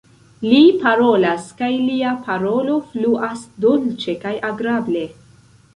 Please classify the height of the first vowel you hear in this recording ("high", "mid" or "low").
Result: high